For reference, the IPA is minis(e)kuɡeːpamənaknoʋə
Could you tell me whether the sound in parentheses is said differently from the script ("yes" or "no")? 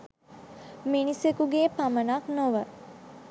no